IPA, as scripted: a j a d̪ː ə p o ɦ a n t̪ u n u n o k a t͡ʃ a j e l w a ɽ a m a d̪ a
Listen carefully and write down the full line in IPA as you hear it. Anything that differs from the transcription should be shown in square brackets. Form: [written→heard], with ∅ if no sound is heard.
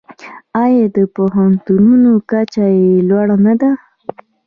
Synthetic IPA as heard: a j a [d̪ː→d̪] ə p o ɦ a n t̪ u n u n o k a t͡ʃ a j e l w a ɽ a [m→n] a d̪ a